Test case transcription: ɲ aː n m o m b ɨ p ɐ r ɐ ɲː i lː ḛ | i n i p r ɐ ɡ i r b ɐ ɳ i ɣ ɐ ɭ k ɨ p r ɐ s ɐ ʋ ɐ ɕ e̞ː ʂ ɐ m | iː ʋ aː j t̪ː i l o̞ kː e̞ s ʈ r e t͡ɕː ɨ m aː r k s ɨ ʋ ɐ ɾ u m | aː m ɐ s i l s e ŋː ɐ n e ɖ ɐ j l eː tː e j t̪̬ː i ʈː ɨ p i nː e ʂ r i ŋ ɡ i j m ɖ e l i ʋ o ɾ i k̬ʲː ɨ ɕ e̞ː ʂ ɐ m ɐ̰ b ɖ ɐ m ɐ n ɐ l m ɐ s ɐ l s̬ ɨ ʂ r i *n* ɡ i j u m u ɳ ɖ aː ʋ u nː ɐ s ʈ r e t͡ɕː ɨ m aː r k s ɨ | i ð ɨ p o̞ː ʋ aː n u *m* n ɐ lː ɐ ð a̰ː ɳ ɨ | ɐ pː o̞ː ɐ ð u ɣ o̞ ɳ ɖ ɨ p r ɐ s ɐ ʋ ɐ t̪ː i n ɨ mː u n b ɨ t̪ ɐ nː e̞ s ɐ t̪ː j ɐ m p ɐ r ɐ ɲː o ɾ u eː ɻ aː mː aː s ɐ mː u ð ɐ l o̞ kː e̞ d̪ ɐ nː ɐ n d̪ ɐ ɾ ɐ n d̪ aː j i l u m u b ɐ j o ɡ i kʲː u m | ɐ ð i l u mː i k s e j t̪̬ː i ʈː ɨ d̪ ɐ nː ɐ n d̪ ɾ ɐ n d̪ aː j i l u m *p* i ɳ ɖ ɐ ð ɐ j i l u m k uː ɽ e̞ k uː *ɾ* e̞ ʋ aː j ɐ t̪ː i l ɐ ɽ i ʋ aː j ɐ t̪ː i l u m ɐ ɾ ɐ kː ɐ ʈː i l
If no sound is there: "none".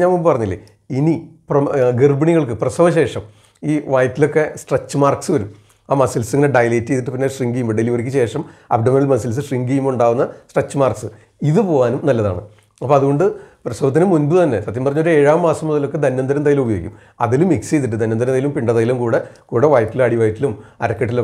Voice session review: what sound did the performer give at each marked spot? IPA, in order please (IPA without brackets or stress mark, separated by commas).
ŋ, m, p, ɽ